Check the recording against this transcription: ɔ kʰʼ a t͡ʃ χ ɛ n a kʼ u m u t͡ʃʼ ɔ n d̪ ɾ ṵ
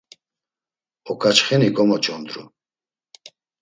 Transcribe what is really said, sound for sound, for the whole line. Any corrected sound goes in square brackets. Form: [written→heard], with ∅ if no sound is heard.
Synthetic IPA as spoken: ɔ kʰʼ a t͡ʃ χ ɛ n [a→i] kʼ [u→ɔ] m [u→ɔ] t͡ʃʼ ɔ n d̪ ɾ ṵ